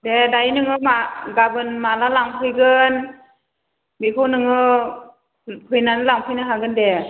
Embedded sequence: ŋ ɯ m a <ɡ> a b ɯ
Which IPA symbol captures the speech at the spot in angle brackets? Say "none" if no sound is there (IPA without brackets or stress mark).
ɡ